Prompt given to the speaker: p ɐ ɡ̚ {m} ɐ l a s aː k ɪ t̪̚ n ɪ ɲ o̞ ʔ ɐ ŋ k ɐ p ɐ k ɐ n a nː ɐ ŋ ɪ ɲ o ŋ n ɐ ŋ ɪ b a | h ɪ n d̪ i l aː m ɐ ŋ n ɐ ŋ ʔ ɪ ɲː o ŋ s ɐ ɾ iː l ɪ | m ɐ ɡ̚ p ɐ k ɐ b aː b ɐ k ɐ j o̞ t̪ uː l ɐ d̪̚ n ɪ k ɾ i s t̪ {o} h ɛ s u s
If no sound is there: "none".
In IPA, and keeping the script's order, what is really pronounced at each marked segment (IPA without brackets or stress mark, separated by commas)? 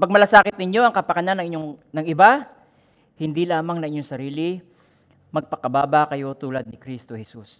m, o